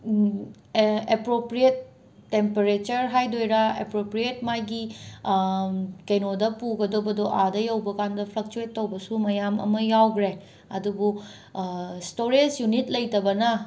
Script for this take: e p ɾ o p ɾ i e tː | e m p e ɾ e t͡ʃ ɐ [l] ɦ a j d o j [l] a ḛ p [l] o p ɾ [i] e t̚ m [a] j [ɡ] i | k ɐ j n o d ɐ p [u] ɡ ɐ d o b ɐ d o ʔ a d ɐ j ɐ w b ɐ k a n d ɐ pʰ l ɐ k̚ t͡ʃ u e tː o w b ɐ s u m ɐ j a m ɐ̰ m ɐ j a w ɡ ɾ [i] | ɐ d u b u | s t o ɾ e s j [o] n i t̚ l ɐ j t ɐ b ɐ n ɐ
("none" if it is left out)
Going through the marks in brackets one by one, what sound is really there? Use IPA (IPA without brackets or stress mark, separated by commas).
ɾ, ɾ, ɾ, i, a, ɡ, u, e, u